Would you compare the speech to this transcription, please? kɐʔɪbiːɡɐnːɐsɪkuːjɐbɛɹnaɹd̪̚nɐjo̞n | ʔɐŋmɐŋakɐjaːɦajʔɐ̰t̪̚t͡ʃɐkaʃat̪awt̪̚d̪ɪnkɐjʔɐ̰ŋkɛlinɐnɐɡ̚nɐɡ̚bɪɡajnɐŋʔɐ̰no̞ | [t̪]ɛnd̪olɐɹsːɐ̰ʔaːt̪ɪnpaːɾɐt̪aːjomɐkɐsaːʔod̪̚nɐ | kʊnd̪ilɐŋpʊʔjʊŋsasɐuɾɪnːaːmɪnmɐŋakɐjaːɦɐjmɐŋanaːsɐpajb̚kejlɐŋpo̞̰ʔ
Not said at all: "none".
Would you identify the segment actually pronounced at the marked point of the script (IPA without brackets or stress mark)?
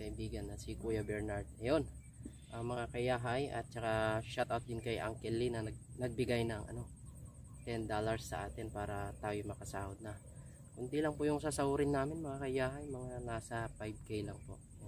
t̪